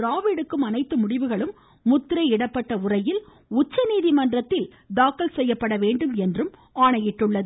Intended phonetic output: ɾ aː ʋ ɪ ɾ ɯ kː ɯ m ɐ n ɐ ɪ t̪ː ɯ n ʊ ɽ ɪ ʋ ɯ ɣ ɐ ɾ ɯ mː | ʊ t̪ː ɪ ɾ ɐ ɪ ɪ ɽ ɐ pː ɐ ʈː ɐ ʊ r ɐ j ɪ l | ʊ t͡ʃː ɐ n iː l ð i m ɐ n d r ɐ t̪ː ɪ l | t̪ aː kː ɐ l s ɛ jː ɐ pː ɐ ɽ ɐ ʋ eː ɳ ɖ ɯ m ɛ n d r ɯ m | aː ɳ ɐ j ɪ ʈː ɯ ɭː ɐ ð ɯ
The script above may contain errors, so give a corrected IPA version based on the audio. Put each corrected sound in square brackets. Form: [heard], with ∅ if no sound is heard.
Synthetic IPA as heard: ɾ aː ʋ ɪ [ɽ] ɯ kː ɯ m ɐ n ɐ ɪ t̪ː ɯ [m] ʊ ɽ ɪ ʋ ɯ ɣ ɐ [ɭ] ɯ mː | ʊ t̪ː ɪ ɾ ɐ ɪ ɪ ɽ ɐ pː ɐ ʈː ɐ ʊ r ɐ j ɪ l | ʊ t͡ʃː ɐ n iː [∅] ð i m ɐ n d r ɐ t̪ː ɪ l | [d̪] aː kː ɐ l s ɛ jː ɐ pː ɐ ɽ ɐ ʋ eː ɳ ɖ ɯ m ɛ n d r ɯ m | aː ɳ ɐ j ɪ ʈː ɯ ɭː ɐ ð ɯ